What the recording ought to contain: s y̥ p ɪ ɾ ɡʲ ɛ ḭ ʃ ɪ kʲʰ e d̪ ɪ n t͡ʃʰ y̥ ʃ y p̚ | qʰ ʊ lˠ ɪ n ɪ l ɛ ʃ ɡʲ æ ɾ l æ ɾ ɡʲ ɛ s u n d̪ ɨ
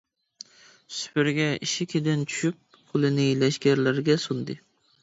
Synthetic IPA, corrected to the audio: s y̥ p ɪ ɾ ɡʲ ɛ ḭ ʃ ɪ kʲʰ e d̪ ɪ n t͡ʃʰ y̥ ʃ y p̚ | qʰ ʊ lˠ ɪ n ɪ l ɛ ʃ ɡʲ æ ɾ l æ ɾ ɡʲ ɛ s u n d̪ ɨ